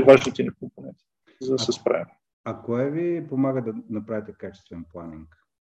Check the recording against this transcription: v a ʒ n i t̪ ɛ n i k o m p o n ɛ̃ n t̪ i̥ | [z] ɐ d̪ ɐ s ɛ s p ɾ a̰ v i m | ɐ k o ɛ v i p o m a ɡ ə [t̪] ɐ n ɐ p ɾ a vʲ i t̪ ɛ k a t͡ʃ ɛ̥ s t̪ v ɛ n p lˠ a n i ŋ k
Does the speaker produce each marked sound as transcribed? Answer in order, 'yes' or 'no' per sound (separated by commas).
yes, no